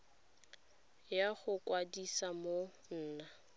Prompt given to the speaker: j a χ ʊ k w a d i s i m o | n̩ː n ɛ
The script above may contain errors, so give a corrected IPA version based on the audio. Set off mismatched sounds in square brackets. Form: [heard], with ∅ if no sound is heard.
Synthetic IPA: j a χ ʊ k w a d i s [a] m o | n̩ː n [a]

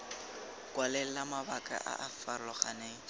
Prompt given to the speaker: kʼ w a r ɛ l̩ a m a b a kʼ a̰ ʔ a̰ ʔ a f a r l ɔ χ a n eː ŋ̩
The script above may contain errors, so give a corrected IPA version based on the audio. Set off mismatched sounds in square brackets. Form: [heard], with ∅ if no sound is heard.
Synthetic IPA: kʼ w a [l] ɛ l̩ a m a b a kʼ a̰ ʔ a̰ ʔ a f a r l ɔ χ a n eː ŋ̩

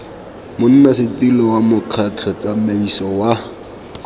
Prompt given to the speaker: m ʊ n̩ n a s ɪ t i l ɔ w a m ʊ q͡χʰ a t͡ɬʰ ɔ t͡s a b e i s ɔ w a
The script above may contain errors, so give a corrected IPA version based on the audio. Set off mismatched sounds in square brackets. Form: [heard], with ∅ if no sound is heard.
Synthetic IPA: m ʊ n̩ n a s ɪ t i l ɔ w a m ʊ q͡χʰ a t͡ɬʰ ɔ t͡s a [m] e i s ɔ w a

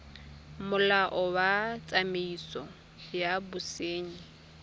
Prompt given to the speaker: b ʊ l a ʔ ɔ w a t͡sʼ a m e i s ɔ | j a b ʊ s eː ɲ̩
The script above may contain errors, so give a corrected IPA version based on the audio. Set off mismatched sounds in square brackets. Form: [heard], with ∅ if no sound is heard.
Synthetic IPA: [m] ʊ l a ʔ ɔ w a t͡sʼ a m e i s ɔ | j a b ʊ s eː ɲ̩

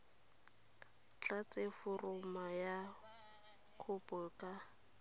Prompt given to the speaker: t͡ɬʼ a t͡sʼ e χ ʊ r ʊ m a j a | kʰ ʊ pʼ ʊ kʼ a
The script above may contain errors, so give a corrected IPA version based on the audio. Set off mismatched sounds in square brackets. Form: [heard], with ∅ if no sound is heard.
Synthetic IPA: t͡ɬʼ a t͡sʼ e [f] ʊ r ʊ m a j a | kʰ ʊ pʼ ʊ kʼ a

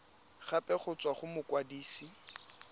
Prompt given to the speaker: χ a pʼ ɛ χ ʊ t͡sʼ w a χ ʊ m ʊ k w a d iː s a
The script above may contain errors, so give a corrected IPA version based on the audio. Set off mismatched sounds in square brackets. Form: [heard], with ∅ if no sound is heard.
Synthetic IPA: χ a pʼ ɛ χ ʊ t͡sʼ w a χ ʊ m ʊ k w a d iː s [i]

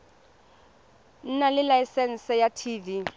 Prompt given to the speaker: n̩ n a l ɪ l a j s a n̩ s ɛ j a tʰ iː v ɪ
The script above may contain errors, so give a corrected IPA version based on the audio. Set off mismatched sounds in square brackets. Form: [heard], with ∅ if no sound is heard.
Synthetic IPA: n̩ n a l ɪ l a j s [ɛ] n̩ s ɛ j a tʰ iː v [i]

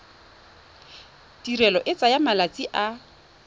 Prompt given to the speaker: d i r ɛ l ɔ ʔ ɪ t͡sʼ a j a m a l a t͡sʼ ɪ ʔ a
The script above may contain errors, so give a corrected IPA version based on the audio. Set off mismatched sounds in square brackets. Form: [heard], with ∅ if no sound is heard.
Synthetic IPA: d i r ɛ l ɔ ʔ ɪ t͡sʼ a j a m a l a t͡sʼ [i] ʔ a

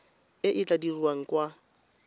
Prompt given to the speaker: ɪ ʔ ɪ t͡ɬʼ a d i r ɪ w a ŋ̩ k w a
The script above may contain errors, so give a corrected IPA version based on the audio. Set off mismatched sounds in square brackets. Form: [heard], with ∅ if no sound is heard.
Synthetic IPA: ɪ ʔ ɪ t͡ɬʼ a d i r [i] w a ŋ̩ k w a

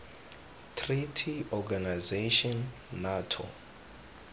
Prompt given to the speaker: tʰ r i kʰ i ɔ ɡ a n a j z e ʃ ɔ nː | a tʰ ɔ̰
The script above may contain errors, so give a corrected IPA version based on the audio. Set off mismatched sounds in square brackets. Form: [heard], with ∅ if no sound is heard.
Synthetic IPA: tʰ r i [tʰ] i ɔ ɡ a n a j z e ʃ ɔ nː | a tʰ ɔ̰

